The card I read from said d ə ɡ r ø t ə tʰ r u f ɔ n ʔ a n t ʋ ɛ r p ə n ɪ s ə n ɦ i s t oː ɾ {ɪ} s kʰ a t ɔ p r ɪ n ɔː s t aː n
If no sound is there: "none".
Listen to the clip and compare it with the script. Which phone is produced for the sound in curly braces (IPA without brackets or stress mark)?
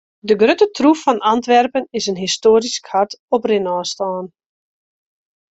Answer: i